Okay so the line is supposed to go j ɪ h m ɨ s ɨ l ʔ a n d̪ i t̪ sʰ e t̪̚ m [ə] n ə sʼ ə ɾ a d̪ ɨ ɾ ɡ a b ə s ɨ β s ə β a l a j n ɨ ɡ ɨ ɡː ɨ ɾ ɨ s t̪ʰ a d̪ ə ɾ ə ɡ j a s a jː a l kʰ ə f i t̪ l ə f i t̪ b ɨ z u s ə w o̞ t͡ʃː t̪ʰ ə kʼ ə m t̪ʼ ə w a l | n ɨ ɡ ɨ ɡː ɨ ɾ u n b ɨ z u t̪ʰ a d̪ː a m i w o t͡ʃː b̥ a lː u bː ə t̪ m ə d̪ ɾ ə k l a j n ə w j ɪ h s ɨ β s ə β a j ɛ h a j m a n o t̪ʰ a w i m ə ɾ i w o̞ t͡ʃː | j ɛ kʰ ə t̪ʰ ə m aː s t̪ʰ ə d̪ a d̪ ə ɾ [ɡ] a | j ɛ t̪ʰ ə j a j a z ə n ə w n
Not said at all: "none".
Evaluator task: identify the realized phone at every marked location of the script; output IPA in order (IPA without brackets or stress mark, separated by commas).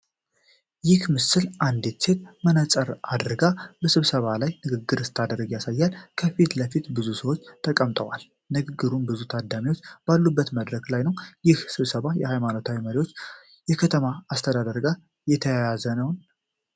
ə, ɡ